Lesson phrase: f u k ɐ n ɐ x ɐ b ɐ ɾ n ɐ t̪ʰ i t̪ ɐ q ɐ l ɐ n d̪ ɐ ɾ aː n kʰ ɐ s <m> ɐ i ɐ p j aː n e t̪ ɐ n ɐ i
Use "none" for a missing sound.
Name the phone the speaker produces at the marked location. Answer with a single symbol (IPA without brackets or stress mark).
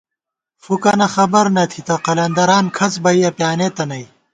b